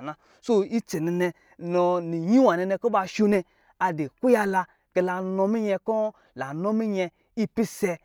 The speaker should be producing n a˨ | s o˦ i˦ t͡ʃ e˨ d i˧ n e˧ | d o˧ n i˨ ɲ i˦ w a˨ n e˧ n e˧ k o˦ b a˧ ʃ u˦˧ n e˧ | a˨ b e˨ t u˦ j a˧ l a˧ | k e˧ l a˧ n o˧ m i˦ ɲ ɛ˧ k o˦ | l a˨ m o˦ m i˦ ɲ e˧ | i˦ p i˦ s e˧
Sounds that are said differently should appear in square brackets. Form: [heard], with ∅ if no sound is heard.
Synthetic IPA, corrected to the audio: n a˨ | s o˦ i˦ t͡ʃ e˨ [n] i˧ n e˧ | [n] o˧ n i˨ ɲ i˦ w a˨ n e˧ n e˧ k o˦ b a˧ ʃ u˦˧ n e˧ | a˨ [d] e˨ [k] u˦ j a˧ l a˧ | k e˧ l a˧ n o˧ m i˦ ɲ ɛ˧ k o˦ | l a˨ [n] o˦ m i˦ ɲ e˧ | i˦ p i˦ s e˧